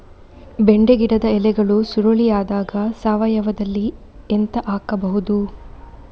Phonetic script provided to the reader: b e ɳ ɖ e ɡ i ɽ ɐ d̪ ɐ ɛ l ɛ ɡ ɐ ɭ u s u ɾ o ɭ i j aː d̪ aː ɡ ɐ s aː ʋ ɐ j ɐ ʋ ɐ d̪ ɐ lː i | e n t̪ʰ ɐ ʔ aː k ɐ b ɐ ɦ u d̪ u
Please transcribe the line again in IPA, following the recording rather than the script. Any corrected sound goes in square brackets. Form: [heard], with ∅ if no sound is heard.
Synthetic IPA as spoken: b e ɳ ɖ e ɡ i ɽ ɐ d̪ ɐ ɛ l ɛ ɡ ɐ ɭ u s u ɾ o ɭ i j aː d̪ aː ɡ ɐ s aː ʋ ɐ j ɐ ʋ ɐ d̪ ɐ lː i | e n [t̪] ɐ ʔ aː k ɐ b ɐ ɦ u d̪ u